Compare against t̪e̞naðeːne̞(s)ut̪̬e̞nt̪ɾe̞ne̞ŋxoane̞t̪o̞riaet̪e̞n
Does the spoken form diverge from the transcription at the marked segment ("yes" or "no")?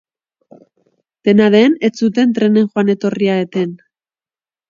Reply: yes